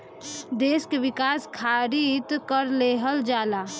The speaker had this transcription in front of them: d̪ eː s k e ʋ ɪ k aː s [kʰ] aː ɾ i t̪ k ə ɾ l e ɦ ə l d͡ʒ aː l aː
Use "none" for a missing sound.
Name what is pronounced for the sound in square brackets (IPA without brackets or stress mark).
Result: kʰ